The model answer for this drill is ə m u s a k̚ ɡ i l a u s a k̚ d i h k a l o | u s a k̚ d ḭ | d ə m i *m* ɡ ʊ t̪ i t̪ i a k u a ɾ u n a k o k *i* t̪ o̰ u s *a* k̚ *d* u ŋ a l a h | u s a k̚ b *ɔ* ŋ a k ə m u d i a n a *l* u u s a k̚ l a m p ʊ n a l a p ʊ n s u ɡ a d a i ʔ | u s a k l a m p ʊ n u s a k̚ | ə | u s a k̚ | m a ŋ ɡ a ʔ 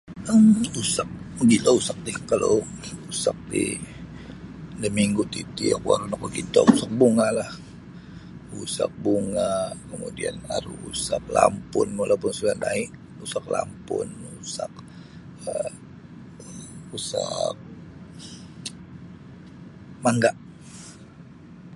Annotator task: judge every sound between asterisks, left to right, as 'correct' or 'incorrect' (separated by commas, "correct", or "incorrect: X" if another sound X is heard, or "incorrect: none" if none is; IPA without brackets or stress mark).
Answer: incorrect: ŋ, correct, correct, incorrect: b, incorrect: u, incorrect: ɾ